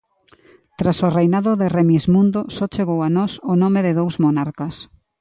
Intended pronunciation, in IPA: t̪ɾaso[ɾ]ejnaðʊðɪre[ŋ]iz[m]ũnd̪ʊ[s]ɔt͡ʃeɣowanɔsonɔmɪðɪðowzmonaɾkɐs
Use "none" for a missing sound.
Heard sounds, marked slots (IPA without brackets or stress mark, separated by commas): r, m, m, s